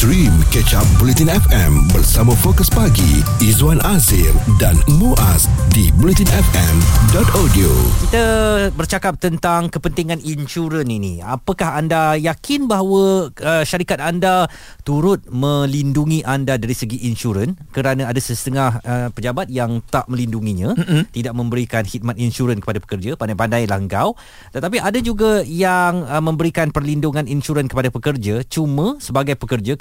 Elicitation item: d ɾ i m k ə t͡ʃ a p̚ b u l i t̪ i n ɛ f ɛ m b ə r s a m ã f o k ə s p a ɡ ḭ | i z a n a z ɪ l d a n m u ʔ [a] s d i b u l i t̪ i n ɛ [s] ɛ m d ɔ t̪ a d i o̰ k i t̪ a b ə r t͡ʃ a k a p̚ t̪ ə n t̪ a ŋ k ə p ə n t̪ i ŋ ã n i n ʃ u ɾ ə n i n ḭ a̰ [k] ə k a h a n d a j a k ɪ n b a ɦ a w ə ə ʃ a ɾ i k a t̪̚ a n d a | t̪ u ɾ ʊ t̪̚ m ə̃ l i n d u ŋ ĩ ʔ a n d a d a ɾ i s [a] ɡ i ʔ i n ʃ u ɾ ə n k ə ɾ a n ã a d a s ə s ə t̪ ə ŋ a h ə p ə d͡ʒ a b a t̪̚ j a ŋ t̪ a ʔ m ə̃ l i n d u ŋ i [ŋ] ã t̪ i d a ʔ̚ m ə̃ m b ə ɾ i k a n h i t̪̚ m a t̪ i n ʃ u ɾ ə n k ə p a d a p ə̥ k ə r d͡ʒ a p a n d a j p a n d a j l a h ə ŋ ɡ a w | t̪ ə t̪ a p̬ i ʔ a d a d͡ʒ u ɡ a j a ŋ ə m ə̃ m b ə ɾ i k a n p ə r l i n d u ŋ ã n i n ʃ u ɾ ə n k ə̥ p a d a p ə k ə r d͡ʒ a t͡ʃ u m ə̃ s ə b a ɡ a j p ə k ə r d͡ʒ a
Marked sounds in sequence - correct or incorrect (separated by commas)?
correct, incorrect, incorrect, incorrect, incorrect